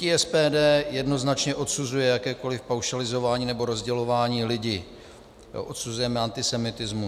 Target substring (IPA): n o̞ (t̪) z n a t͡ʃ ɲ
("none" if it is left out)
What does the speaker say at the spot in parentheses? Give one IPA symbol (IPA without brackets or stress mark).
none